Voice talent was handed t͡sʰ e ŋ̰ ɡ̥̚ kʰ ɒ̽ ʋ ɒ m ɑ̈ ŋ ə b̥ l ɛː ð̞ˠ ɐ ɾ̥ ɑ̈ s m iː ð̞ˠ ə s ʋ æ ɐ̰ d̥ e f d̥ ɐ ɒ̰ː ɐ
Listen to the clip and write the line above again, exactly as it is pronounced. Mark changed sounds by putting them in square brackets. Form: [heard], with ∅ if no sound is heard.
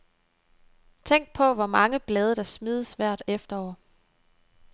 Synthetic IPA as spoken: t͡sʰ e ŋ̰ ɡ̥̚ [pʰ] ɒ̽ ʋ ɒ m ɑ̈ ŋ ə b̥ l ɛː ð̞ˠ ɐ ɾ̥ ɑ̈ s m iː ð̞ˠ ə s ʋ æ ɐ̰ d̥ e f d̥ ɐ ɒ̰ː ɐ